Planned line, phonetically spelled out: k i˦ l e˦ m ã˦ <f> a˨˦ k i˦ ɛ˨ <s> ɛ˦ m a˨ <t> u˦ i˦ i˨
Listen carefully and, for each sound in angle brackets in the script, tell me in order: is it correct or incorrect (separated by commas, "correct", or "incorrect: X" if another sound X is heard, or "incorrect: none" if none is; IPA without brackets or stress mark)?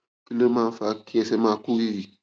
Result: correct, correct, incorrect: k